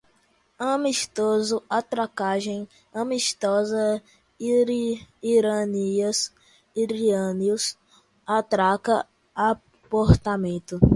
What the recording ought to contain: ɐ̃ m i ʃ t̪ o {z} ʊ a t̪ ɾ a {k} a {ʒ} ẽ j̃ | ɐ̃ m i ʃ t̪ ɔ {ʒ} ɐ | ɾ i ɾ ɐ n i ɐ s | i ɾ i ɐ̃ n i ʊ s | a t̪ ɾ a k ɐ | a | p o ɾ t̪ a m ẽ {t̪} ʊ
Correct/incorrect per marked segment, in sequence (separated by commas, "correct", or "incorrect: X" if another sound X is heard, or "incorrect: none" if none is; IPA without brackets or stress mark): correct, correct, correct, incorrect: z, correct